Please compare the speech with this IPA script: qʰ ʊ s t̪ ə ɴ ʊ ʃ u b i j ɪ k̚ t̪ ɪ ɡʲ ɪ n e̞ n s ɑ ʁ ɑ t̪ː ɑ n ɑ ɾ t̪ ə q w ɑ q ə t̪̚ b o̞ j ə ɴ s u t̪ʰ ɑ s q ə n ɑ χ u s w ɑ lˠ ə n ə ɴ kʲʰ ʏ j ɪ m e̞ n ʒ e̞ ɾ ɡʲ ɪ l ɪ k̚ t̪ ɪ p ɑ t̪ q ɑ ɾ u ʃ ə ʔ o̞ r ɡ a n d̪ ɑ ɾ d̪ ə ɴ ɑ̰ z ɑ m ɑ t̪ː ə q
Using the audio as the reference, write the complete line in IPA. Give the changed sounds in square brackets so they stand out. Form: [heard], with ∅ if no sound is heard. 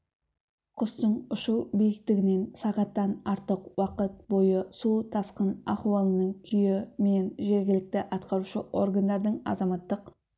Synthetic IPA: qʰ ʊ s t̪ ə ɴ ʊ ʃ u b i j ɪ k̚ t̪ ɪ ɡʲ ɪ n e̞ n s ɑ ʁ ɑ t̪ː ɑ n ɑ ɾ t̪ ə q w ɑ q ə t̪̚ b o̞ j ə [∅] s u t̪ʰ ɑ s q ə n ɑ χ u [∅] w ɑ lˠ ə n ə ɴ kʲʰ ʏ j ɪ m e̞ n ʒ e̞ ɾ ɡʲ ɪ l ɪ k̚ t̪ ɪ [ʔ] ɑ t̪ q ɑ ɾ u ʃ ə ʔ o̞ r ɡ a n d̪ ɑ ɾ d̪ ə ɴ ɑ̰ z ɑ m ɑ t̪ː ə q